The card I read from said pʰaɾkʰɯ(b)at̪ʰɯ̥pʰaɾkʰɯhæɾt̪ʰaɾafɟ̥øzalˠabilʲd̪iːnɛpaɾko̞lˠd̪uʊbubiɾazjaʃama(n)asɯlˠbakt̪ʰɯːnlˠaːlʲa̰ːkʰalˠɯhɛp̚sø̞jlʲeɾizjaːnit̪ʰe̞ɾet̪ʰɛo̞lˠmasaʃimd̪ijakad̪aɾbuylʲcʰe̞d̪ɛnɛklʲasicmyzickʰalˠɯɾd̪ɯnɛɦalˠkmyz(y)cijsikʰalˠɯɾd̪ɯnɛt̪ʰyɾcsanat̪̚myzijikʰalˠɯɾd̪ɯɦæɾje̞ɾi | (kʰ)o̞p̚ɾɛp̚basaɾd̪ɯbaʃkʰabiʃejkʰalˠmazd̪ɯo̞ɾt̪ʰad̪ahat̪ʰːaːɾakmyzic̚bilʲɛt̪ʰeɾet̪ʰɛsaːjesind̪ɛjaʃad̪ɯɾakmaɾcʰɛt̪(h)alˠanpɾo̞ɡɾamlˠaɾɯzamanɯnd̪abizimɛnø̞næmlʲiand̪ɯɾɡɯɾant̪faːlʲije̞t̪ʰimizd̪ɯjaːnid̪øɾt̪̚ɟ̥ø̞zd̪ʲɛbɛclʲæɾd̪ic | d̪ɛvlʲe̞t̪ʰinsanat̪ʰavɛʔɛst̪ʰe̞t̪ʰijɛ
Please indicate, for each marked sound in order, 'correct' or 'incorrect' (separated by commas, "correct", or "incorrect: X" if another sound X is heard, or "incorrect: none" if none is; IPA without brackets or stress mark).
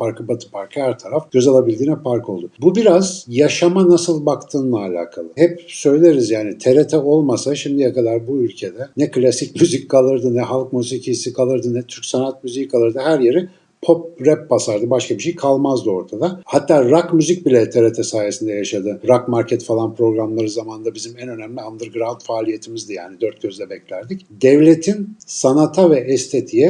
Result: correct, correct, incorrect: i, incorrect: pʰ, incorrect: f